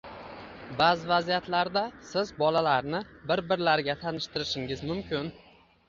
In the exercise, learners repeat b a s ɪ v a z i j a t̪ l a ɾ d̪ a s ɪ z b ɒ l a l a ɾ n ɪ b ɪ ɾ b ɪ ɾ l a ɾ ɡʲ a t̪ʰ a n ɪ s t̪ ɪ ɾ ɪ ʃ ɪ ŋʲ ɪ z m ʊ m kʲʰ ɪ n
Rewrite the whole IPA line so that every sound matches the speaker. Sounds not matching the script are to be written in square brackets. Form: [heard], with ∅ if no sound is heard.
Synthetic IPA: b a [z] ɪ v a z i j a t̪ l a ɾ d̪ a s ɪ z b ɒ l a l a ɾ n ɪ b ɪ ɾ b ɪ ɾ l a ɾ ɡʲ a t̪ʰ a n ɪ [ʃ] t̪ ɪ ɾ ɪ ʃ ɪ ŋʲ ɪ z m ʊ m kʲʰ ɪ n